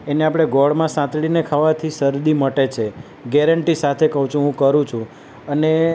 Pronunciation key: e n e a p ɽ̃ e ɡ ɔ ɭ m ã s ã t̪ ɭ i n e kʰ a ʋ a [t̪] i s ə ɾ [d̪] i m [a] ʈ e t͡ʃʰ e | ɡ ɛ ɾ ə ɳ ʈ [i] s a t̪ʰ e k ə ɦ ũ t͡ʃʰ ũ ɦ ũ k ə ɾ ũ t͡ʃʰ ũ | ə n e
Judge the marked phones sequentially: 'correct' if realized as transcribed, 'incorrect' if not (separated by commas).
incorrect, correct, incorrect, correct